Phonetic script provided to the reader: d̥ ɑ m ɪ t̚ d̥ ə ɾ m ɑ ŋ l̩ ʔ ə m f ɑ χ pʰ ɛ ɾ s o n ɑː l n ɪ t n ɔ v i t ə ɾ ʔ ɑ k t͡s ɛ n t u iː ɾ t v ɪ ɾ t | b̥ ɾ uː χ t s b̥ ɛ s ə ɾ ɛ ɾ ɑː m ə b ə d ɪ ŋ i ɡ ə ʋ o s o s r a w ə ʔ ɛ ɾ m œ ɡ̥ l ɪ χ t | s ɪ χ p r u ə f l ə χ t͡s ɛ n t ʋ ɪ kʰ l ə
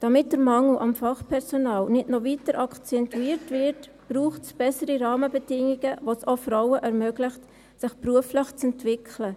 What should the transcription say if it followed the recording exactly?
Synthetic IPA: d̥ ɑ m ɪ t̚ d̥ ə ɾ m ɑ ŋ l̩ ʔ ɑ m f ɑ χ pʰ ɛ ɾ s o n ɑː l n ɪ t n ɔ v i t ə ɾ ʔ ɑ k t͡s ɛ n t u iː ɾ t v ɪ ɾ t | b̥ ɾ uː χ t s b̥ ɛ s ə ɾ i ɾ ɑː m ə b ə d ɪ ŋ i ɡ ə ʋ o s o f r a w ə ʔ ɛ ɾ m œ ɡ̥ l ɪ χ t | s ɪ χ p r u ə f l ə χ t͡s ɛ n t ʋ ɪ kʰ l ə